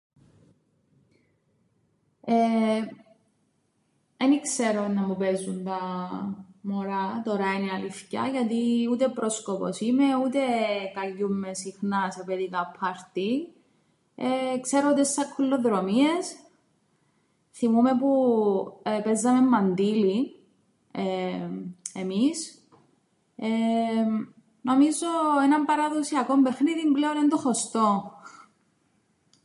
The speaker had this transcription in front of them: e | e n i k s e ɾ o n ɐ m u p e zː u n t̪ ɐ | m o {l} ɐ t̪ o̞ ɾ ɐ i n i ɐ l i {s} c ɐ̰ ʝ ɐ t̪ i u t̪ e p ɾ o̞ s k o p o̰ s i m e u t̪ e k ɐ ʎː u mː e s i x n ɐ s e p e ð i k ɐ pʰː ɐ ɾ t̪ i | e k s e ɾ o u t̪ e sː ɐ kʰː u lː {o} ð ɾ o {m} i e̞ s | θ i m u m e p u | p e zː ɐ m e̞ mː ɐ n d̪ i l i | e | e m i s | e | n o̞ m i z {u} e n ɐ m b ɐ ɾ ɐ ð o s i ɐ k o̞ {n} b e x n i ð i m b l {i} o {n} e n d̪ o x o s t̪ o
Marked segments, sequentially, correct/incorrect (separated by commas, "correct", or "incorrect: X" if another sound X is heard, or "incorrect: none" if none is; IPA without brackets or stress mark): incorrect: ɾ, incorrect: f, correct, correct, incorrect: o, incorrect: m, incorrect: e, correct